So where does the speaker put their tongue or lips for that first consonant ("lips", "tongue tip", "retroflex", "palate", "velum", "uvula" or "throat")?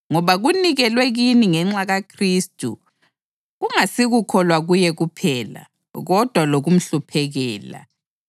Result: velum